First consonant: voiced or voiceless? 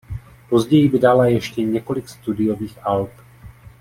voiceless